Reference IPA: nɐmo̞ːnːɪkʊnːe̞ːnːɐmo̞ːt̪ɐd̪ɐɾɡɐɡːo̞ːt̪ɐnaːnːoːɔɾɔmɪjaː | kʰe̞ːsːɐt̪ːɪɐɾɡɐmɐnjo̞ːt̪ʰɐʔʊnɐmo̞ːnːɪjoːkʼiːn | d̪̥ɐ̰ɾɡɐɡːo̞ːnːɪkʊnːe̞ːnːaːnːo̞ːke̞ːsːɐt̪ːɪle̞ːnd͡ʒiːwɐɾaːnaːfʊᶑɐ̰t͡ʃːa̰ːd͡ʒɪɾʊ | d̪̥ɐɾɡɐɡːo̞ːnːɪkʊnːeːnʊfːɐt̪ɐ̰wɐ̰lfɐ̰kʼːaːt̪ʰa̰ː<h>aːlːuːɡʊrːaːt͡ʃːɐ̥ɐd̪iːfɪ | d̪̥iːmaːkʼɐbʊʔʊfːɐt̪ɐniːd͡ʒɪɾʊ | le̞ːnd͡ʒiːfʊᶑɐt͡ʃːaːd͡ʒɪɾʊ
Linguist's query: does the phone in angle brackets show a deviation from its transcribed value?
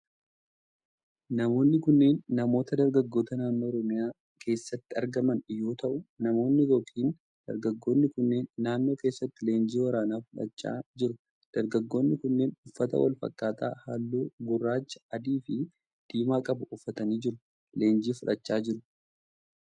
no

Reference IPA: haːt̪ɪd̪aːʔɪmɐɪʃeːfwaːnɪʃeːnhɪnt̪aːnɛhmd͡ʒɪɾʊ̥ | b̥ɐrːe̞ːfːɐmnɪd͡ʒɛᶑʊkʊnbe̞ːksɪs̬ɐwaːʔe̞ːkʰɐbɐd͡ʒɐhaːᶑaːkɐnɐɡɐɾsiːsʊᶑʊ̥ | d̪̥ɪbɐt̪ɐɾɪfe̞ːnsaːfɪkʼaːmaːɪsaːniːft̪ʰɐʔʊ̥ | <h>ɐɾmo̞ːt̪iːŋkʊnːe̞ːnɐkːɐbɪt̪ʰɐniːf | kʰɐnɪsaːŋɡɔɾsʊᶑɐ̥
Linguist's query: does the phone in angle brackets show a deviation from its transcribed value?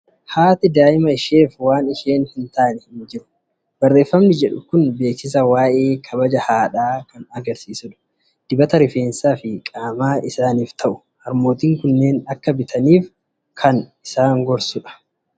no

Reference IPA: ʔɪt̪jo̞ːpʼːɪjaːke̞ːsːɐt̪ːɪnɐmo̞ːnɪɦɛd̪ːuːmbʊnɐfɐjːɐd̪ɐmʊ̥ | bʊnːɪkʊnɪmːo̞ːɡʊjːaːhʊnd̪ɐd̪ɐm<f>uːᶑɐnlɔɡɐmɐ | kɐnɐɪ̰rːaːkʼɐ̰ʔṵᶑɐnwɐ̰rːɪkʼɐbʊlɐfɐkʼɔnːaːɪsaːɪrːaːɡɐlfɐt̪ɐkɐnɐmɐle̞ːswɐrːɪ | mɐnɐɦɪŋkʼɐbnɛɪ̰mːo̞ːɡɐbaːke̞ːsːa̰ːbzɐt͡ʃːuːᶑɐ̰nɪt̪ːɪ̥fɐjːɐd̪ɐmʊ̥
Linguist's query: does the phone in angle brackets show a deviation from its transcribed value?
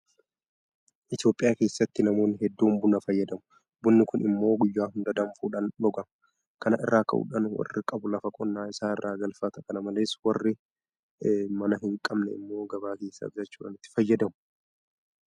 no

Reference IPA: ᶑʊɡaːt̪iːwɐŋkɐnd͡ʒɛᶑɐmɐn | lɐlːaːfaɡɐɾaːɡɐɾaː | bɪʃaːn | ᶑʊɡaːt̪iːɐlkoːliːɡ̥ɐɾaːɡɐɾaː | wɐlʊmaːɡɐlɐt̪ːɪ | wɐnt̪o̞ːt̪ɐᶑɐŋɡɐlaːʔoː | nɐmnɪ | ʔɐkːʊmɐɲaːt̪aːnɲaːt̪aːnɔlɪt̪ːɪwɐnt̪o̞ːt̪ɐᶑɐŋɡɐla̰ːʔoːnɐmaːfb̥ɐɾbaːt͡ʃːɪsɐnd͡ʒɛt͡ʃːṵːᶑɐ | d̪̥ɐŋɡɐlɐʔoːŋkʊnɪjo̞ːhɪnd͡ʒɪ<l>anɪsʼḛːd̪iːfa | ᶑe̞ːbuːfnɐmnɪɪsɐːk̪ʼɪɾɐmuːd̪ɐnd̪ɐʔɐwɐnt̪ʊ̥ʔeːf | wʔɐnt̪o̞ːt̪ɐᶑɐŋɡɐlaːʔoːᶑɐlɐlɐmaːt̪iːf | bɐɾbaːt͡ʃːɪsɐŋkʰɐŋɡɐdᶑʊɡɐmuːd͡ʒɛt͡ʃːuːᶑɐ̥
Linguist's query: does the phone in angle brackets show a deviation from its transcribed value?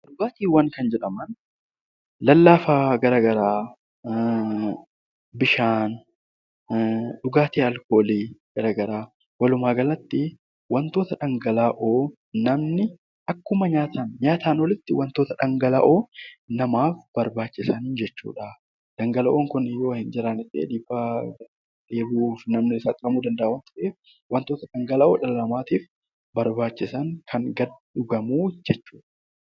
yes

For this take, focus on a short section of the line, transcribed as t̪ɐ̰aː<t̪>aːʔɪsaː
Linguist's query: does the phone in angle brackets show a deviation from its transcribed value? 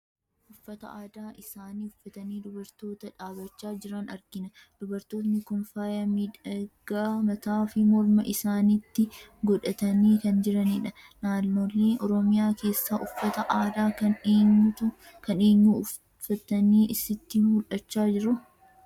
yes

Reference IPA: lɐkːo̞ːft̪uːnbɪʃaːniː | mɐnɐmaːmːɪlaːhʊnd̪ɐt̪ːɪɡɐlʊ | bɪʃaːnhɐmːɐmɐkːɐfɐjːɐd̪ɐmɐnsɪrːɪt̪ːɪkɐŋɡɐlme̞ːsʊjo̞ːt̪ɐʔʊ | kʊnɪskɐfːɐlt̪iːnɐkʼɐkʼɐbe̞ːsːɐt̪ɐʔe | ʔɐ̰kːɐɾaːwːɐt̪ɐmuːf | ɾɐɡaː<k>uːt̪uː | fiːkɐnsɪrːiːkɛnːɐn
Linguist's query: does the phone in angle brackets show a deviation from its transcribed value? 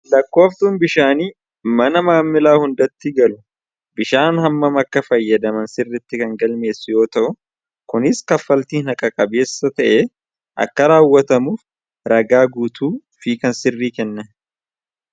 yes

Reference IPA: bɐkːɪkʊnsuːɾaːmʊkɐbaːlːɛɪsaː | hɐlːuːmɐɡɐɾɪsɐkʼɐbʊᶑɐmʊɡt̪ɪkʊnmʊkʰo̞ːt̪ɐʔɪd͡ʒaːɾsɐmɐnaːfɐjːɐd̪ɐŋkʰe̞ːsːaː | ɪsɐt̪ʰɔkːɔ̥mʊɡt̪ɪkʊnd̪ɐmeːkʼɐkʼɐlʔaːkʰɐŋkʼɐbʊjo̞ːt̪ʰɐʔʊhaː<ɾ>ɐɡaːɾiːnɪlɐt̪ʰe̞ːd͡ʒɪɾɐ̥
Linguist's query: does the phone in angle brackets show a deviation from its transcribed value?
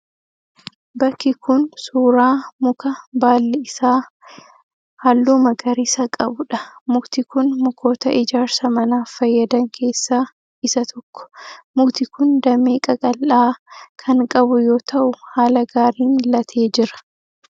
yes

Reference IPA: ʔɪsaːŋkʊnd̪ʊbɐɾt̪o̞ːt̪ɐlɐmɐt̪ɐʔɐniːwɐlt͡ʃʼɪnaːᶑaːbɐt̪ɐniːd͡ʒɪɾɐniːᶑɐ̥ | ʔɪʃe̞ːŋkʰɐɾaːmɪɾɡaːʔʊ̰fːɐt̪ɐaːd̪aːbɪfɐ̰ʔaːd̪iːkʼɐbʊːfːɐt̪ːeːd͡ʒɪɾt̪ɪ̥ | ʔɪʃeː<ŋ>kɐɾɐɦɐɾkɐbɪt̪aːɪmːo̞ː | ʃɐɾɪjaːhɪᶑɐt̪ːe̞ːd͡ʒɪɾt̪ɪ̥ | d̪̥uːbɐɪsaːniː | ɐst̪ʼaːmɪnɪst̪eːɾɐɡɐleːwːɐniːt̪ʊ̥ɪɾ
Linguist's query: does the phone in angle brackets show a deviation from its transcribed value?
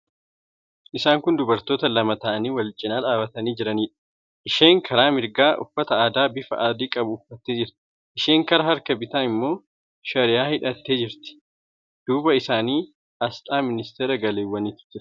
no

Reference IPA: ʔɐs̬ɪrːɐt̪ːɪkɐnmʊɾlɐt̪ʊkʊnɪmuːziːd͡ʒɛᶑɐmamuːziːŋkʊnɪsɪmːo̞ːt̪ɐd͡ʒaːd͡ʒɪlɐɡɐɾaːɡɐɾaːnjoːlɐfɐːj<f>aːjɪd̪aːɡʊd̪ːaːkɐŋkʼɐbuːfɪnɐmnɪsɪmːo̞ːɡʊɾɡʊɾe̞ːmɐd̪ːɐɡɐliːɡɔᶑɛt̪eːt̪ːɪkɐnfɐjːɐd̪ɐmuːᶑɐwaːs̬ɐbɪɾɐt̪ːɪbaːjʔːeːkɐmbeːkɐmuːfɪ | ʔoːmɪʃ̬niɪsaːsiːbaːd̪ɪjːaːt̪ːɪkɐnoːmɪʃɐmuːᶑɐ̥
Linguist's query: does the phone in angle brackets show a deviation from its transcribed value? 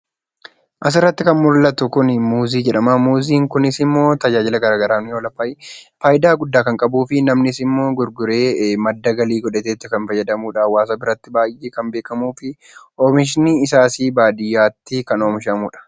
no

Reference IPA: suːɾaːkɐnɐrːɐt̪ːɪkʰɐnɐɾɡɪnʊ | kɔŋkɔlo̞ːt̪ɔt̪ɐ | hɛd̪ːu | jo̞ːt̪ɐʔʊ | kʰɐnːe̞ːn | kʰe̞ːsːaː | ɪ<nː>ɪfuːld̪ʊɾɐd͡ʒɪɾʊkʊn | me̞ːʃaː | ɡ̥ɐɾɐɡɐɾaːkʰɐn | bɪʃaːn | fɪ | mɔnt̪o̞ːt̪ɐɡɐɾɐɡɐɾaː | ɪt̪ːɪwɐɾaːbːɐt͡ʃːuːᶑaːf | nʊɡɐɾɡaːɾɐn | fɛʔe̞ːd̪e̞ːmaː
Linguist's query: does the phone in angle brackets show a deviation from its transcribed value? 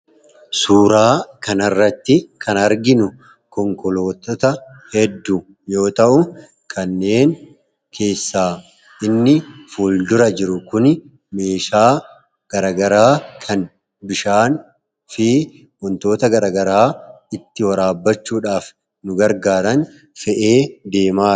no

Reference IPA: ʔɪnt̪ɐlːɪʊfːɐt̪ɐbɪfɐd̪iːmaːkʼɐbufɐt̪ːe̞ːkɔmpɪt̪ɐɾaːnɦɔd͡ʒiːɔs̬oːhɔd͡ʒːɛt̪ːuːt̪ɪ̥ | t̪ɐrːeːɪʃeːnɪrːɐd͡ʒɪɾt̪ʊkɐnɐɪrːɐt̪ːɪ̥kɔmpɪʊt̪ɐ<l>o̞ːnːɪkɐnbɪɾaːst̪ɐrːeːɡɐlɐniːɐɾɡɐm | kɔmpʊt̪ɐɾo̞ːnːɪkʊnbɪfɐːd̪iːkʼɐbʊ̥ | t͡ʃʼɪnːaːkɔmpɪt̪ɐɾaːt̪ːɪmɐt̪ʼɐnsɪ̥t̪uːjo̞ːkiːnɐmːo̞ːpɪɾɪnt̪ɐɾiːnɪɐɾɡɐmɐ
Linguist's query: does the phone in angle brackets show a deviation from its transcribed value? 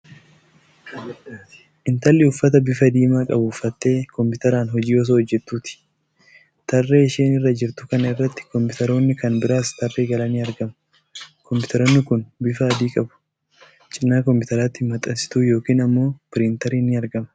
yes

